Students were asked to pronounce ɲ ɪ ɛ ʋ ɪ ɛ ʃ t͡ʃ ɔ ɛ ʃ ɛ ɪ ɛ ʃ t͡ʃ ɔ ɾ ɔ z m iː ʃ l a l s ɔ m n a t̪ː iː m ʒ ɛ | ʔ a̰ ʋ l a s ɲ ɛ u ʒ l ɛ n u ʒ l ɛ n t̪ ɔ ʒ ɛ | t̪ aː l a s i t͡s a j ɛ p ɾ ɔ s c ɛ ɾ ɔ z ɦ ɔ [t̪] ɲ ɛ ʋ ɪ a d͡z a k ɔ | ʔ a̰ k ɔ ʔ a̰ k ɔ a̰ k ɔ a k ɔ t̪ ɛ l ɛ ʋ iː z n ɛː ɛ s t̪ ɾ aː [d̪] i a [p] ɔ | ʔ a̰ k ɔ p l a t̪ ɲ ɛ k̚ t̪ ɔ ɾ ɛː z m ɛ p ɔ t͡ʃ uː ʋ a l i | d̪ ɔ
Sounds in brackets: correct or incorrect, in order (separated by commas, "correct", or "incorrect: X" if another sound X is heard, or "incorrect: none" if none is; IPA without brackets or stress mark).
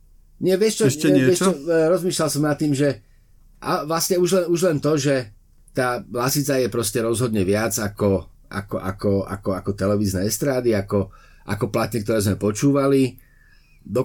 incorrect: d̪, correct, incorrect: k